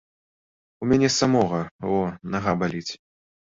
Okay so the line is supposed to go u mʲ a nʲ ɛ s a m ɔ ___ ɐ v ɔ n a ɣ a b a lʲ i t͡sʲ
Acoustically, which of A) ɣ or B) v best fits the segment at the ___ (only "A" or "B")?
A